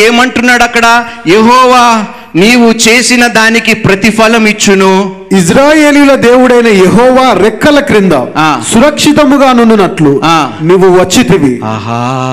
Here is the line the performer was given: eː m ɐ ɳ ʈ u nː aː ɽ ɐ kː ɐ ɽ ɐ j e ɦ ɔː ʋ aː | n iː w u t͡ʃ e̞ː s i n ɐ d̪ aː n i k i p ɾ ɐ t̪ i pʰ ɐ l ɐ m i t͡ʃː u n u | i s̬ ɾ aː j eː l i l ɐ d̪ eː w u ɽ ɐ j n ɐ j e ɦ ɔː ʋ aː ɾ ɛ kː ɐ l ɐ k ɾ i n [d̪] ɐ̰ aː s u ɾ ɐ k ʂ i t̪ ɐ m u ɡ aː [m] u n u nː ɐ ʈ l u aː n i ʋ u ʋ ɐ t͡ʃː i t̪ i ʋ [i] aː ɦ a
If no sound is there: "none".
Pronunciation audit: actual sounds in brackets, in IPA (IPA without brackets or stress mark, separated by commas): d̪, n, i